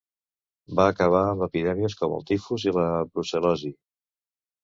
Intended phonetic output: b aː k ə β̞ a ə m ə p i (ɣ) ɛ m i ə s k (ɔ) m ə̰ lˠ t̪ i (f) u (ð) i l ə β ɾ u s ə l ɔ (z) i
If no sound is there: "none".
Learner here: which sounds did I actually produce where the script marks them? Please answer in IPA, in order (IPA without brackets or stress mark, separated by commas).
ð, ɔ, f, z, z